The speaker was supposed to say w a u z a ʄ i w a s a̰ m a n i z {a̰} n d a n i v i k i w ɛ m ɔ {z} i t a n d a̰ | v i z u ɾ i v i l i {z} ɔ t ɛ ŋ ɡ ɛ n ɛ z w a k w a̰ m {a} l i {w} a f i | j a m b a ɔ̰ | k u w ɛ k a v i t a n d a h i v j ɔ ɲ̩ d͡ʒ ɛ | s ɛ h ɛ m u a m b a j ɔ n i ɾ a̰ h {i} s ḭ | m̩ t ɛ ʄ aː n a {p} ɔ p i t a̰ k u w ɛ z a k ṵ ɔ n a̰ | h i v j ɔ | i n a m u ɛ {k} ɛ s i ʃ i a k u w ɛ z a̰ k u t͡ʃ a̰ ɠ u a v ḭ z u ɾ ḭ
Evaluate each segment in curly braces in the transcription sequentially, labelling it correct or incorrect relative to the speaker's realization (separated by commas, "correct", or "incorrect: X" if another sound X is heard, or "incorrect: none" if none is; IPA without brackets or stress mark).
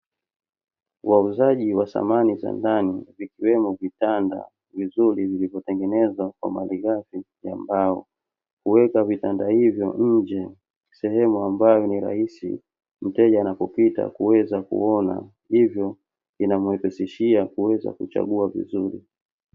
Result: correct, incorrect: v, incorrect: v, correct, incorrect: ɣ, correct, correct, incorrect: p